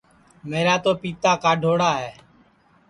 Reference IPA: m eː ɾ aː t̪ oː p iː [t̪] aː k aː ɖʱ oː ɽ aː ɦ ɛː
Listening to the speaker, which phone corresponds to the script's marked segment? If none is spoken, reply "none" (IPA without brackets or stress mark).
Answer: t̪